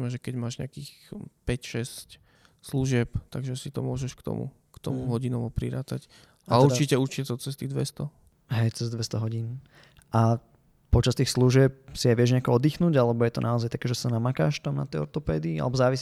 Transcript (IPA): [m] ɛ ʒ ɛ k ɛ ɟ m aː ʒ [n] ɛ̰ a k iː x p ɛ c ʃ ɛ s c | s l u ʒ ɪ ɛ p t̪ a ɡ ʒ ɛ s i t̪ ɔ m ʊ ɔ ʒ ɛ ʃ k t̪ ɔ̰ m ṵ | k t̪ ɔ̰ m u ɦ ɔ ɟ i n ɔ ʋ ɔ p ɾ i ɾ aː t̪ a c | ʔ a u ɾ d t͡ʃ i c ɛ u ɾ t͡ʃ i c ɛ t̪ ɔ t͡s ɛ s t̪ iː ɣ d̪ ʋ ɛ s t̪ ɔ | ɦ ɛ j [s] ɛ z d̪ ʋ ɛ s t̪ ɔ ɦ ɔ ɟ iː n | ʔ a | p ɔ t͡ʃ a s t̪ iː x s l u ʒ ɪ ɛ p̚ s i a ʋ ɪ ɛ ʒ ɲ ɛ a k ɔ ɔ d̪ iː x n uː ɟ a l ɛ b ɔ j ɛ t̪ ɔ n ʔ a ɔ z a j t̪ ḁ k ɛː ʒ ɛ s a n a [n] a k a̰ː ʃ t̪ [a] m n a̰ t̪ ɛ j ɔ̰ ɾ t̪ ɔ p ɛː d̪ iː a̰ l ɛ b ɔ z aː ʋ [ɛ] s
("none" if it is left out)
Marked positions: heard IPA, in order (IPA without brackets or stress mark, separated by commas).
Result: m, ɲ, t͡s, m, a, i